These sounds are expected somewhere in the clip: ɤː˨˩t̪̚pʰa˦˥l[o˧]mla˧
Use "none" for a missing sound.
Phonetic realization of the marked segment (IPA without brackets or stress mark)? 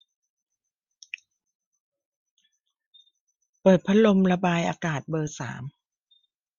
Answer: o˧